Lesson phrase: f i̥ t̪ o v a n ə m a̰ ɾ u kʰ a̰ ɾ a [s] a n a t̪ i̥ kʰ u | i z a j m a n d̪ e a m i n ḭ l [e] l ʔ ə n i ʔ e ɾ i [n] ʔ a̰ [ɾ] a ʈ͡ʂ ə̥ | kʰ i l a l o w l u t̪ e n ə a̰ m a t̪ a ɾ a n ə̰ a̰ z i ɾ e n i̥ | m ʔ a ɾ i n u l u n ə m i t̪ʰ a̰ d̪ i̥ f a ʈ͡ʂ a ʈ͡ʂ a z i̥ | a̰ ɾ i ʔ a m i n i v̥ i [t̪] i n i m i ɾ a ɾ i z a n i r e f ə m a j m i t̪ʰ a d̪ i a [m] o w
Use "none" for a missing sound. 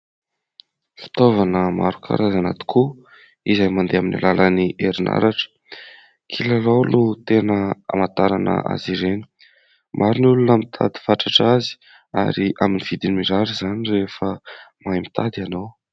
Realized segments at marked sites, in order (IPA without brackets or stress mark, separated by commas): z, a, n, ɾ, d̪, n